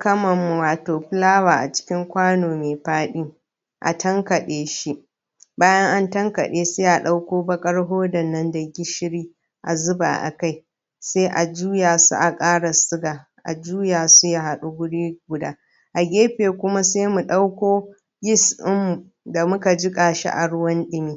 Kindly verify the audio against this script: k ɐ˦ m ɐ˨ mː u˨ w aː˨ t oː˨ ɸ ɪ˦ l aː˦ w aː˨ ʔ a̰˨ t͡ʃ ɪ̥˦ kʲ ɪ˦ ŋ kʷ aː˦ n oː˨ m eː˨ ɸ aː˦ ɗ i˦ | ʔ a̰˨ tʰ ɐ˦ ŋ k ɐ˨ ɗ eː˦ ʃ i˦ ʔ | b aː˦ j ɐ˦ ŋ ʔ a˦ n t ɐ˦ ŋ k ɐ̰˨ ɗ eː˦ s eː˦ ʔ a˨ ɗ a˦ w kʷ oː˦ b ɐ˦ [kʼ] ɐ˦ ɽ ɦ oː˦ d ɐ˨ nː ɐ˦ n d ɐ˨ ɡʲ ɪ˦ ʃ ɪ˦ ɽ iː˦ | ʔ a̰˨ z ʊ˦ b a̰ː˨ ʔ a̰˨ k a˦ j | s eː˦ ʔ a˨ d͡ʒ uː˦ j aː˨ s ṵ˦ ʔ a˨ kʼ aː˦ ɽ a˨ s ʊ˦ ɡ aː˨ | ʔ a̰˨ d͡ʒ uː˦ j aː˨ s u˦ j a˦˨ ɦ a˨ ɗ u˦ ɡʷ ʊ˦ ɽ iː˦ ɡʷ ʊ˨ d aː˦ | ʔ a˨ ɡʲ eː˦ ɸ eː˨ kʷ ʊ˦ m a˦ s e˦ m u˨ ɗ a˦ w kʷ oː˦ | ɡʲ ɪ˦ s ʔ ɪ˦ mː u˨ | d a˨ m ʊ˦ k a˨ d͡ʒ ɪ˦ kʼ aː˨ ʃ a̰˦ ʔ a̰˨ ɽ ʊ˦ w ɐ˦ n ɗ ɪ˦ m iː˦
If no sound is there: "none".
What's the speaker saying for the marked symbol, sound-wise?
kʼ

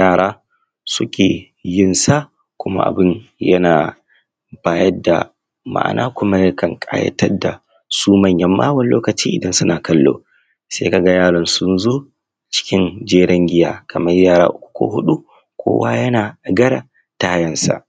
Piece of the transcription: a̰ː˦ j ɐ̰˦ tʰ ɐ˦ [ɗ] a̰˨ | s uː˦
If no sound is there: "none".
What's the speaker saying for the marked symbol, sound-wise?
d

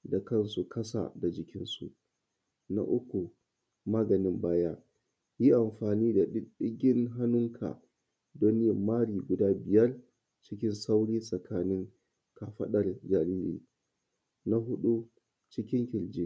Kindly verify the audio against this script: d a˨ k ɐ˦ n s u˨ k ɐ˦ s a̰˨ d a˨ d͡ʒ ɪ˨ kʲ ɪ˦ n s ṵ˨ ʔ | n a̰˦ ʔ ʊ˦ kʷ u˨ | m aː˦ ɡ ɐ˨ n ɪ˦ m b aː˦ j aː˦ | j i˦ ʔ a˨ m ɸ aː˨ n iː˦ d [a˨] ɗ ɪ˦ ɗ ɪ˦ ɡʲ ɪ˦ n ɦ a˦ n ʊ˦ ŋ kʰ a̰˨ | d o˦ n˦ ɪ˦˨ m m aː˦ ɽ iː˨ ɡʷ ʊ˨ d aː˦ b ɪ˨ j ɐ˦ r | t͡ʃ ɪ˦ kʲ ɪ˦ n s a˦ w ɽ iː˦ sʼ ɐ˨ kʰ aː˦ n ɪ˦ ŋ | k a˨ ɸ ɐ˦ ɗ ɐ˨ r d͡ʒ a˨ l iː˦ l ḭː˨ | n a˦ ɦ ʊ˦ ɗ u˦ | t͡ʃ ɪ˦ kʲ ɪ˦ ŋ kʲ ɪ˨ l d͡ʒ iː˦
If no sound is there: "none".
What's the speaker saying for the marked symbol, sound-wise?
a˨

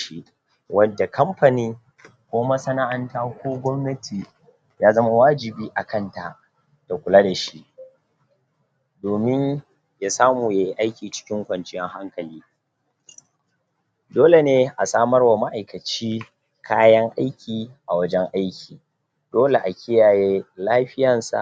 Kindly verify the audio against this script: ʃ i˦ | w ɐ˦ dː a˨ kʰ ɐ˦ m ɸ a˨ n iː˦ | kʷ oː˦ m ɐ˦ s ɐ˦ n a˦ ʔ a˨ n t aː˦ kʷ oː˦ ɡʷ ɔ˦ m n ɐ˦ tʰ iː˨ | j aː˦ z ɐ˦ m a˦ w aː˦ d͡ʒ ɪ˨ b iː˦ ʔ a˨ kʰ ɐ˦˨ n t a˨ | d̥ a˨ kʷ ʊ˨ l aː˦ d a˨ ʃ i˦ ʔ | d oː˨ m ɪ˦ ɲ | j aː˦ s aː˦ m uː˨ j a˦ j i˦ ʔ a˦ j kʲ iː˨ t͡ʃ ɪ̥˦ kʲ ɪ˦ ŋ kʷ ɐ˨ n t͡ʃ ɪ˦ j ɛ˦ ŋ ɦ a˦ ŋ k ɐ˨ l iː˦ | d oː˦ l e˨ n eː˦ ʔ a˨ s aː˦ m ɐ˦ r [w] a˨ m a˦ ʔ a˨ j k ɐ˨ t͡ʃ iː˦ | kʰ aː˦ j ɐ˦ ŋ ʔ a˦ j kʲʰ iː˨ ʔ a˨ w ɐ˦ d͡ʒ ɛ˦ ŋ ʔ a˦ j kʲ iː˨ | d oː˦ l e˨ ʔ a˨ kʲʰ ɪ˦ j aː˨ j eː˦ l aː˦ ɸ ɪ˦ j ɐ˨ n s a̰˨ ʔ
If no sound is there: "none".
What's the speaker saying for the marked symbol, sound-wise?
w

